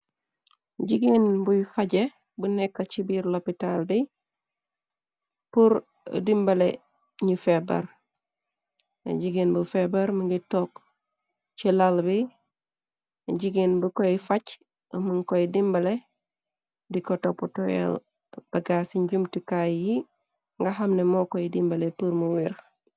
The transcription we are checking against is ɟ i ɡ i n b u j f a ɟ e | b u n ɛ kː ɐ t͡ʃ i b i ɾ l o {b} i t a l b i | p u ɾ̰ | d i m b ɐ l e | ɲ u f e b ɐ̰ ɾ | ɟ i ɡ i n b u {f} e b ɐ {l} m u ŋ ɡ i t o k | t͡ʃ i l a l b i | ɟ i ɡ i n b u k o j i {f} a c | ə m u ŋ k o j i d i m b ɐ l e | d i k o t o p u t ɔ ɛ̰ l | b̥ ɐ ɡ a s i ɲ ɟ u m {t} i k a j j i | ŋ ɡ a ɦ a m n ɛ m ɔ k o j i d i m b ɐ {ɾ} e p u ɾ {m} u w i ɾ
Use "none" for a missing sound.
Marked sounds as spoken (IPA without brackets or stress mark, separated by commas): p, f, ɾ, f, t, l, m